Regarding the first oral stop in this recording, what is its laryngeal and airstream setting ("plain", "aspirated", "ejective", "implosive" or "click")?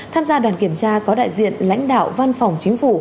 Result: aspirated